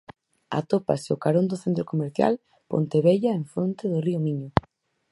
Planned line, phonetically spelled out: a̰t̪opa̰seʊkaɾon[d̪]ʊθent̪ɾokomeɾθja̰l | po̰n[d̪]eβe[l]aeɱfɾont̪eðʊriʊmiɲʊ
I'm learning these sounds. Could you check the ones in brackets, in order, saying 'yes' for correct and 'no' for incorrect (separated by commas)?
yes, no, no